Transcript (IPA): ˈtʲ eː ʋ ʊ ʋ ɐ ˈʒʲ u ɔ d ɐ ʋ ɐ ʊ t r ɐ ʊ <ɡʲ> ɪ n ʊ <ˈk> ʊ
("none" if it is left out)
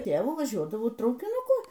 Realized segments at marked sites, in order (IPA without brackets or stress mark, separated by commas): kʲ, k